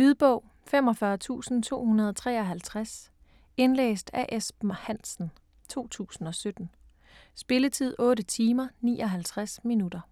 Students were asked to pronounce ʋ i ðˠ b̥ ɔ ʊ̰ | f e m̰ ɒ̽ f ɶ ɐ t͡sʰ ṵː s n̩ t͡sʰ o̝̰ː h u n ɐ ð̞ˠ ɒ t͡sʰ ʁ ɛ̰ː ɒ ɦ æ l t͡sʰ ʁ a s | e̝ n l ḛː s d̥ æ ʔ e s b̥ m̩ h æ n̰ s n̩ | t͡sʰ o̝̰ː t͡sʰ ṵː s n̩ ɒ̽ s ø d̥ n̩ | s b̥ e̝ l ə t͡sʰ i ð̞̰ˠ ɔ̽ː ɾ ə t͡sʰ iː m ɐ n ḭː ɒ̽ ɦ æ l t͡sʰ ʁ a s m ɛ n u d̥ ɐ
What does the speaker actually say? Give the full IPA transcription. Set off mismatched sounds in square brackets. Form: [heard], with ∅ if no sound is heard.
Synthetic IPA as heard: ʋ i ðˠ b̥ ɔ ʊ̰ | f e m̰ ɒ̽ f ɶ ɐ t͡sʰ ṵː s n̩ t͡sʰ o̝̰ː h u n ɐ ð̞ˠ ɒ t͡sʰ ʁ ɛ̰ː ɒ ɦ æ l t͡sʰ ʁ a s | e̝ n l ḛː s d̥ æ ʔ e s b̥ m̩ h æ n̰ s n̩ | t͡sʰ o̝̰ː t͡sʰ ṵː s n̩ ɒ̽ s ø d̥ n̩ | s b̥ e̝ l ə t͡sʰ i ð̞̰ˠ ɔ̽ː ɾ ə t͡sʰ iː m ɐ n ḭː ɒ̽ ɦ æ l t͡sʰ ʁ a s m [i] n u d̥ ɐ